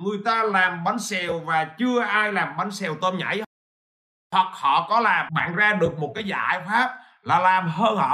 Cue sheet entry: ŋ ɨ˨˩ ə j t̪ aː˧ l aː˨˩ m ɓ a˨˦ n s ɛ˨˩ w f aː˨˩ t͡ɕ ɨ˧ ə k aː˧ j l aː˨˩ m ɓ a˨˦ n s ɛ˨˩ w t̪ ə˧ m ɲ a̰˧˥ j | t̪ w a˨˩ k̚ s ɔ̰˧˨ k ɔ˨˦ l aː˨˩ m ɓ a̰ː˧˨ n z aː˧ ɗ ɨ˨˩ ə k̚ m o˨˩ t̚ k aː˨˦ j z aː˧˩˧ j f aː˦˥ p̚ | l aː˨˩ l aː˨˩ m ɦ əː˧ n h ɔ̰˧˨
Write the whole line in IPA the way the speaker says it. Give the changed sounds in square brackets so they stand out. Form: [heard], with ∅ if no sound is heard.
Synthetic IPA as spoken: ŋ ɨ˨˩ ə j t̪ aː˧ l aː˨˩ m ɓ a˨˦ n s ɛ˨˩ w [v] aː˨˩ t͡ɕ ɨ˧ ə [ʔ] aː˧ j l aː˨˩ m ɓ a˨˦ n s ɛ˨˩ w t̪ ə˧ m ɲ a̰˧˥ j | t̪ w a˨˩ k̚ [h] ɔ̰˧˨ k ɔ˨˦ l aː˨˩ m ɓ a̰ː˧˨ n z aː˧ ɗ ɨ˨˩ ə k̚ m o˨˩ t̚ k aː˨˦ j z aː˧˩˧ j f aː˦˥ p̚ | l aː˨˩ l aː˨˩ m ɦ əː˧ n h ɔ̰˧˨